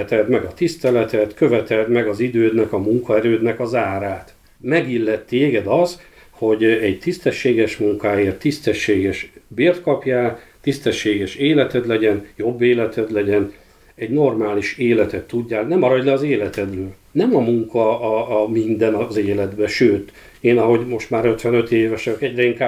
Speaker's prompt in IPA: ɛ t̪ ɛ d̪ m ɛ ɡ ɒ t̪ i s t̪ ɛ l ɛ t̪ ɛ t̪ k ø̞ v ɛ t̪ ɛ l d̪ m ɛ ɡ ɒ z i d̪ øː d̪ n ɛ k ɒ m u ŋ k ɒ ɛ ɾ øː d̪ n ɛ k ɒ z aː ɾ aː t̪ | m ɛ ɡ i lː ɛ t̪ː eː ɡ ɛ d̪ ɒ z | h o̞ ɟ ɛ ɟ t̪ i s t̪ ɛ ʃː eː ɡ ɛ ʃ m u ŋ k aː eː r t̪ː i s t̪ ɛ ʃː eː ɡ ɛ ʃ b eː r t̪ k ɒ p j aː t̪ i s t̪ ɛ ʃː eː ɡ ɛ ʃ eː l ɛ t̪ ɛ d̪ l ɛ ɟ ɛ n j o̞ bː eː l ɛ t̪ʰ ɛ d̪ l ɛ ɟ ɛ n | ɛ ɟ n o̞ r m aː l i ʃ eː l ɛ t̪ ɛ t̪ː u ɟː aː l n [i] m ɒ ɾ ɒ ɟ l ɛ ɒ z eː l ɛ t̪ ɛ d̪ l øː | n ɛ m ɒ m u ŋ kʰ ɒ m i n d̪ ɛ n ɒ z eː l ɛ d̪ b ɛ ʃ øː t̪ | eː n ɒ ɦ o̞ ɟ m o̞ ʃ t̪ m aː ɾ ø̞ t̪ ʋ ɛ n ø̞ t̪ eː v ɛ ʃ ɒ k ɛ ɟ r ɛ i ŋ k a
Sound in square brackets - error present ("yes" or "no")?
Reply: yes